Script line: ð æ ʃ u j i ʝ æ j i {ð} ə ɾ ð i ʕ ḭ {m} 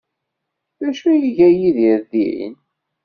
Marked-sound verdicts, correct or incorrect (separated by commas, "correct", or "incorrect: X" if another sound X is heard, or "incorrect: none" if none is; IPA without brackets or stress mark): correct, incorrect: n